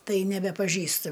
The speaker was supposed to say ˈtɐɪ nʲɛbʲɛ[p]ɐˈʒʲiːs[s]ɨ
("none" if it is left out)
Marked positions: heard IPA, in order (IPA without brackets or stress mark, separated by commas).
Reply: p, t